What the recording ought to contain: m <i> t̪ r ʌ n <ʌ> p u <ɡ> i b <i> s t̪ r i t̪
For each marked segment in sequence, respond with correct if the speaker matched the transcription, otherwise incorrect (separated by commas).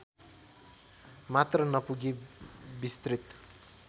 incorrect, correct, correct, correct